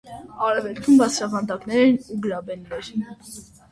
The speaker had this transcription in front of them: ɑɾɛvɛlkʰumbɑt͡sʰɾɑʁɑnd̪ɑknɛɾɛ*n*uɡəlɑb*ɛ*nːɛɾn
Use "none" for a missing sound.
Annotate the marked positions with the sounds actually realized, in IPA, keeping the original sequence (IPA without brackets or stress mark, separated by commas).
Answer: n, ɛ